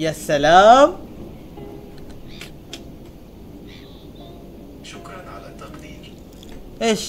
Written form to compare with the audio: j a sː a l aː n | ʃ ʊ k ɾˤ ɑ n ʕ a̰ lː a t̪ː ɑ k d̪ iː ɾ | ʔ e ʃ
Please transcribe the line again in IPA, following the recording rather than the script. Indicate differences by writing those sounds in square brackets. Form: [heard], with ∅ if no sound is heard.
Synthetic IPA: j a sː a l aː [m] | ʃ ʊ k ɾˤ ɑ n ʕ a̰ [l] a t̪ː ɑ [q] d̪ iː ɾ | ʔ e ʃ